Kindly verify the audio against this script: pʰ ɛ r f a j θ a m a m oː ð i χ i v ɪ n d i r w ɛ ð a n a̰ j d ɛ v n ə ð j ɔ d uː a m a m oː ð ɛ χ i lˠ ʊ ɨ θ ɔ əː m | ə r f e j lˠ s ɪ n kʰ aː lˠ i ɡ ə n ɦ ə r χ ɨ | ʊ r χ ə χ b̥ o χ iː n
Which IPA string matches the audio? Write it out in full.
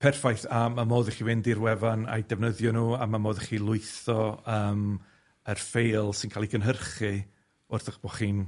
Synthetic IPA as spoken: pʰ ɛ r f a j θ a m a m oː ð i χ i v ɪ n d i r w ɛ v a n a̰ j d ɛ v n ə ð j ɔ n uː a m a m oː ð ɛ χ i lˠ ʊ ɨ θ ɔ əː m | ə r f e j lˠ s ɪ n kʰ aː lˠ i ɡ ə n ɦ ə r χ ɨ | ʊ r θ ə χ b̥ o χ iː n

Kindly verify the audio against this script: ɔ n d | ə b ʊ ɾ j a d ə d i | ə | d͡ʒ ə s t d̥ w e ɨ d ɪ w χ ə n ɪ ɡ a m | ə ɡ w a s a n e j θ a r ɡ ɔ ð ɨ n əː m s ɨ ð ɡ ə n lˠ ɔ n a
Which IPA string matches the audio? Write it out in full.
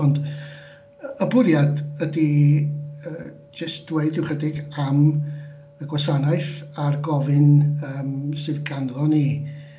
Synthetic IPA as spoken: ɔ n d | ə b ʊ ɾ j a d ə d i | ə | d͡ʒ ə s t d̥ w e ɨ d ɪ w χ ə d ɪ ɡ a m | ə ɡ w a s a n a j θ a r ɡ ɔ v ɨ n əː m s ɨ ð ɡ a n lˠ ɔ n i

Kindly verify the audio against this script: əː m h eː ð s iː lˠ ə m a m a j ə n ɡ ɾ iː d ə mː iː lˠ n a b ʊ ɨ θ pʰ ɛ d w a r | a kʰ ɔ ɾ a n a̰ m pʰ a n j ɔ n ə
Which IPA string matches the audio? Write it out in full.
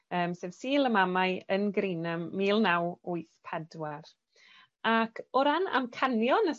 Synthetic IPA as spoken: əː m s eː v s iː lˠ ə m a m a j ə n ɡ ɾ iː n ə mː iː lˠ n a w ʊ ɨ θ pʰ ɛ d w a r | a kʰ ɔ ɾ a n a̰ m kʰ a n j ɔ n ə

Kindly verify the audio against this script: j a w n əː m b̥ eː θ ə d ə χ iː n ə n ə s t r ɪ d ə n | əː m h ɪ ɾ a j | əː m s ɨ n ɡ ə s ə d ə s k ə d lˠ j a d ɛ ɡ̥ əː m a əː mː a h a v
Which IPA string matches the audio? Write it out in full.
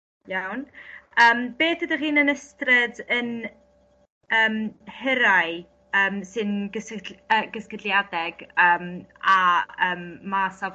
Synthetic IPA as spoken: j a w n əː m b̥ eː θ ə d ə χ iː n ə n ə s t r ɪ d ə n | əː m h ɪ ɾ a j | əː m s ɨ n ɡ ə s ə ɡ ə s k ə d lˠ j a d ɛ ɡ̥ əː m a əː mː a s a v

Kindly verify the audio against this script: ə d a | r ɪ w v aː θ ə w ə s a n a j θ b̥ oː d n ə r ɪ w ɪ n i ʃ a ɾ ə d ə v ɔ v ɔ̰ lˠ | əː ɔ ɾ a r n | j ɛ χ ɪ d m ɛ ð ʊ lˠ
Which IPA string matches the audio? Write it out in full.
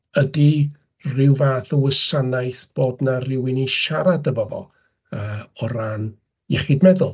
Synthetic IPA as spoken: ə d i | r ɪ w v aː θ ə w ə s a n a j θ b̥ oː d n a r ɪ w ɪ n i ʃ a ɾ a d ə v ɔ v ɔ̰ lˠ | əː ɔ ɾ a n | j ɛ χ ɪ d m ɛ ð ʊ lˠ

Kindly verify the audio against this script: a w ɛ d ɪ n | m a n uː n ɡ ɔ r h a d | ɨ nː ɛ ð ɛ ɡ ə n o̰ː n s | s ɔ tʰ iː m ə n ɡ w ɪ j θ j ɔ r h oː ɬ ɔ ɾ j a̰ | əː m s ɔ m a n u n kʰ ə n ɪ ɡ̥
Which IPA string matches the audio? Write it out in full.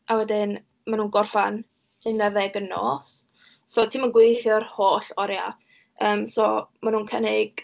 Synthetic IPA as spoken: a w ɛ d ɪ n | m a n uː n ɡ ɔ r f a n | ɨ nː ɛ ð ɛ ɡ ə n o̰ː s | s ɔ tʰ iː m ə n ɡ w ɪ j θ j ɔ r h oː ɬ ɔ ɾ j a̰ | əː m s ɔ m a n uː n kʰ ə n ɪ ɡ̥

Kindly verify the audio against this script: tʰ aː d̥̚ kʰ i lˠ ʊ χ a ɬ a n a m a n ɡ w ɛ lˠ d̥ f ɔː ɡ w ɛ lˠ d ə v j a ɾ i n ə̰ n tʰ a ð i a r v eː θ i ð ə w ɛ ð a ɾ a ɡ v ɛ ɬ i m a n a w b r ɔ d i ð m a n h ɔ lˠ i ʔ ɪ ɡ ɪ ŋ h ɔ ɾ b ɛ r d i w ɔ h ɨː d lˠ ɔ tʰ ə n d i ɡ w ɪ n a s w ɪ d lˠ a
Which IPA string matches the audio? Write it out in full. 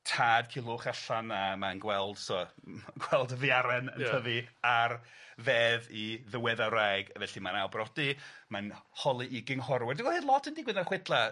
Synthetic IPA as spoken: tʰ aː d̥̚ kʰ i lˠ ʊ χ a ɬ a n a m a n ɡ w ɛ lˠ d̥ s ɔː ɡ w ɛ lˠ d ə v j a ɾ ɛ n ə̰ n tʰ ə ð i a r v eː ð i ð ə w ɛ ð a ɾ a ɡ v ɛ ɬ i m a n a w b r ɔ d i m a n h ɔ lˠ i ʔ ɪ ɡ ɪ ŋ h ɔ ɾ w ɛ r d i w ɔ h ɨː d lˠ ɔ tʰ ə n d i ɡ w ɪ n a χ w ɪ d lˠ a

